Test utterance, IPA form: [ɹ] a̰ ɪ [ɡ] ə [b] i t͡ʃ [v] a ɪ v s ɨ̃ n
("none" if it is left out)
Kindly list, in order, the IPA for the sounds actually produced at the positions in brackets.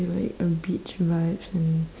l, k, b, v

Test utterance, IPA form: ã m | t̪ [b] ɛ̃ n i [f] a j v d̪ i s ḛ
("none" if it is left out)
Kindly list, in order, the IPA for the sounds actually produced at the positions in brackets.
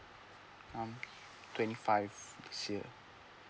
w, f

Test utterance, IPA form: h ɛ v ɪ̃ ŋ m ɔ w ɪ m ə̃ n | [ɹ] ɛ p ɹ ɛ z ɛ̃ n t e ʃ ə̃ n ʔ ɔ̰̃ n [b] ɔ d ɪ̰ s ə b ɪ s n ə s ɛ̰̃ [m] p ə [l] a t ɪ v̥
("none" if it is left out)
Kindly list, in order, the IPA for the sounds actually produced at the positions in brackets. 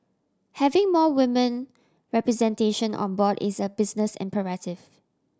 ɹ, b, m, ɹ

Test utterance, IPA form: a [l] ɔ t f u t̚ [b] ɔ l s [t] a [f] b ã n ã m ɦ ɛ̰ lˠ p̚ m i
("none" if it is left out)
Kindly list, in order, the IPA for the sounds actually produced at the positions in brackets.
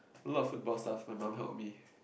l, b, t, f

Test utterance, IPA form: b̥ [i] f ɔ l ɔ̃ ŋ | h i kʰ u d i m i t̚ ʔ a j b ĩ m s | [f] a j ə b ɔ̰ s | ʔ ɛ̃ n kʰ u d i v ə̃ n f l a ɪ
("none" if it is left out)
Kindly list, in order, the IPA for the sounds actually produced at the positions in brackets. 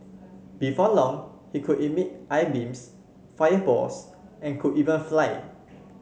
i, f

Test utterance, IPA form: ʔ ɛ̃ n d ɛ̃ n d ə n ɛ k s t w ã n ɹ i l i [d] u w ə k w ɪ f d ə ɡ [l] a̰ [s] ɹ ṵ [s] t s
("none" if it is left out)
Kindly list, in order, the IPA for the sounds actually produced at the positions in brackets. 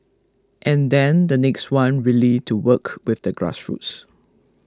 t, ɹ, s, none

